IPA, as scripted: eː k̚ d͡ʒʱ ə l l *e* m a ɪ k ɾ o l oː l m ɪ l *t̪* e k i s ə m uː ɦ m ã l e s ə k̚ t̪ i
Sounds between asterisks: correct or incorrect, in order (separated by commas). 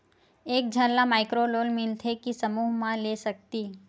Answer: incorrect, incorrect